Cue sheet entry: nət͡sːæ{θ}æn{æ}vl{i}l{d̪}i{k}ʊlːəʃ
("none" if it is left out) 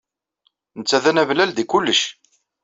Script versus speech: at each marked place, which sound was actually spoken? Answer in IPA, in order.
ð, æ, æ, d̪, k

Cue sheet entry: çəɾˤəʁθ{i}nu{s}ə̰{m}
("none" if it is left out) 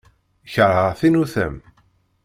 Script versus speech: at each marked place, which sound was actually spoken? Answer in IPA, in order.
i, θ, m

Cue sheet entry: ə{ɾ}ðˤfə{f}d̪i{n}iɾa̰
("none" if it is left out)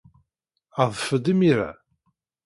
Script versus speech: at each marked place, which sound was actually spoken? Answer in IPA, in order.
none, none, m

